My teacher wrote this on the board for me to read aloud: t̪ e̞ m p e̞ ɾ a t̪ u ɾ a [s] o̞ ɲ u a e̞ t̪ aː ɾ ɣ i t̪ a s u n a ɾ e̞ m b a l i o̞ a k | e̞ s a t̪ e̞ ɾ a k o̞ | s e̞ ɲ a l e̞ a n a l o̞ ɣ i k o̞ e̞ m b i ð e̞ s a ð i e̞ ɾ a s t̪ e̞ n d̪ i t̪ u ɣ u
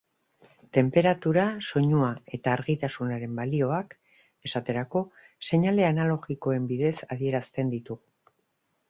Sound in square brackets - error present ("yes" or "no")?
no